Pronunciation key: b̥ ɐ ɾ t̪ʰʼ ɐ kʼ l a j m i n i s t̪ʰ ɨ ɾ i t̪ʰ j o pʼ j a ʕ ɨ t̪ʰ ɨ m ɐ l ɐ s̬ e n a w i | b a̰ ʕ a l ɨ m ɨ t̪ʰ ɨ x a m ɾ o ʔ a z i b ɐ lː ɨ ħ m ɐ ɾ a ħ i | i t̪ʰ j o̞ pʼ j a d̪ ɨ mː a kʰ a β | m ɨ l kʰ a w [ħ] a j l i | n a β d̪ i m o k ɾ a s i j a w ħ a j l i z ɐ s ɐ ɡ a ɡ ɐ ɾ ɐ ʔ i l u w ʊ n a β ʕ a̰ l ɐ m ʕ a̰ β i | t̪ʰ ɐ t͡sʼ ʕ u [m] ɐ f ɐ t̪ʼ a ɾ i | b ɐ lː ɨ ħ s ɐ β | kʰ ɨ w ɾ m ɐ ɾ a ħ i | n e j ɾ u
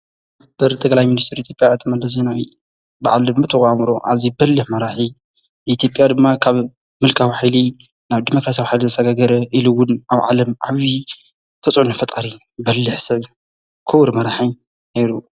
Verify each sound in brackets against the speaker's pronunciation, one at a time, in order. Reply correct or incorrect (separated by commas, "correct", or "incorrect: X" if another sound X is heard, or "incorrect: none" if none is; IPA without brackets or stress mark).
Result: correct, incorrect: n